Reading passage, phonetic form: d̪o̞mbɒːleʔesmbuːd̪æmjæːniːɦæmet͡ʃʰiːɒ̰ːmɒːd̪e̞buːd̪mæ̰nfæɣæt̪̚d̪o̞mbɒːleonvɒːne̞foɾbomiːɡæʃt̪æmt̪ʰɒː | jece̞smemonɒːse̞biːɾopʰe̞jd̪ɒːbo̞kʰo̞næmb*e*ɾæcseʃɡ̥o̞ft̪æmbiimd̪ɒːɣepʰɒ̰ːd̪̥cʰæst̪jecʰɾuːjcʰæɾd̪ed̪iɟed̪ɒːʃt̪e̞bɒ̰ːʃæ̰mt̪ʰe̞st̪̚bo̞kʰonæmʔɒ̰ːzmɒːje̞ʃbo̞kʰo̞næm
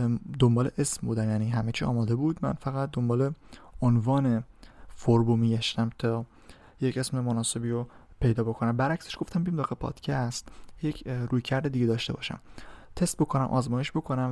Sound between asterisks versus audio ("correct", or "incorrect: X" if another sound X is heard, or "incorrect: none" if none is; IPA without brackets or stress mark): incorrect: æ